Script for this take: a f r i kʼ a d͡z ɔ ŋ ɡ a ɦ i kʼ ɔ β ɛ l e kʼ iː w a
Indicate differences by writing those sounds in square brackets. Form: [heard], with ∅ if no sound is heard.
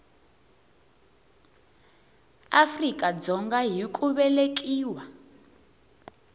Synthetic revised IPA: a f r i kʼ a d͡z ɔ ŋ ɡ a ɦ i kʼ [u] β ɛ l e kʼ iː w a